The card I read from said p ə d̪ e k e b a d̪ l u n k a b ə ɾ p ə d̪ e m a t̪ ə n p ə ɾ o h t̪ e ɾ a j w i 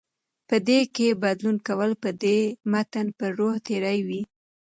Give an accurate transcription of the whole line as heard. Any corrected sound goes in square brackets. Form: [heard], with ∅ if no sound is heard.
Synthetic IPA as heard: p ə d̪ e k e b a d̪ l u n k a [w] ə [l] p ə d̪ e m a t̪ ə n p ə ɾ o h t̪ e ɾ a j w i